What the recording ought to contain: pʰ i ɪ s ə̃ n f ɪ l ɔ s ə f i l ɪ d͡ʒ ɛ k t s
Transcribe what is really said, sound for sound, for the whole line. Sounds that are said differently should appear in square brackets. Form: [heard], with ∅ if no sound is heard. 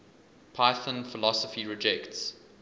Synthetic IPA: pʰ [a] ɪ [θ] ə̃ n f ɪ l ɔ s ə f i [ɹ] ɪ d͡ʒ ɛ k t s